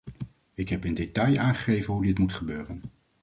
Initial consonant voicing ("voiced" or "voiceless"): voiceless